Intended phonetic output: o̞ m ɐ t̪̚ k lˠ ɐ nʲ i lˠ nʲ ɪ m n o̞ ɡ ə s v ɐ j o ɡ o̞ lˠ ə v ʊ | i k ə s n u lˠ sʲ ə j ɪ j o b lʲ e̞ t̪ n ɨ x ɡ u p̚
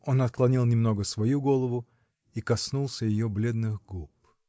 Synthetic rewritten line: o̞ n ɐ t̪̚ k lˠ ɐ nʲ i lˠ nʲ ɪ m n o̞ ɡ ə s v ɐ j u ɡ o̞ lˠ ə v ʊ | i k ɐ s n u lˠ sʲ ə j ɪ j o b lʲ e̞ d̪ n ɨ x ɡ u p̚